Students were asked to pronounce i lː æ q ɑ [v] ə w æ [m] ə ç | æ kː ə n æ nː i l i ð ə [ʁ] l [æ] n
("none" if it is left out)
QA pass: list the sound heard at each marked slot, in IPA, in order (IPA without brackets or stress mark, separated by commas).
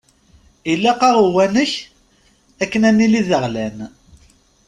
ʁ, n, ʁ, æ